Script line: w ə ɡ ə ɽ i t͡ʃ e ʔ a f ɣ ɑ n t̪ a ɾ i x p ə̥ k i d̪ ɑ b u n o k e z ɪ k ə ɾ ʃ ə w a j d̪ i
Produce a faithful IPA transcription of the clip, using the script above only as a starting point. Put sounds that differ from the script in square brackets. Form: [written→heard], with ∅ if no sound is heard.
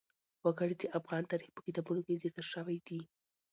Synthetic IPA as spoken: w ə ɡ ə ɽ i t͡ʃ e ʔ a f ɣ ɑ n t̪ a ɾ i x p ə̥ k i [d̪→t̪] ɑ b u n o k e z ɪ k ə ɾ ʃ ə w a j d̪ i